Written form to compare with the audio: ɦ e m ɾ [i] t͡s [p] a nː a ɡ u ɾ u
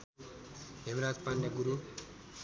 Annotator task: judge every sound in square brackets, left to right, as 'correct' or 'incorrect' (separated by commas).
incorrect, correct